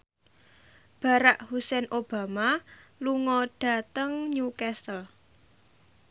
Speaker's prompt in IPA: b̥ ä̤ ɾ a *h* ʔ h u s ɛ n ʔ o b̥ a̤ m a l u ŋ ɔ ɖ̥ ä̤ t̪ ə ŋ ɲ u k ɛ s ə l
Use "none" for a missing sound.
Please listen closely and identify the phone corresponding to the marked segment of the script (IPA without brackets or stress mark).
none